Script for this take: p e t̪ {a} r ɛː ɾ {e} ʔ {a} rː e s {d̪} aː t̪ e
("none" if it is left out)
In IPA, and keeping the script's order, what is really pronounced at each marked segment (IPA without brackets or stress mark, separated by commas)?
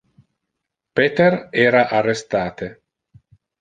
e, a, a, t̪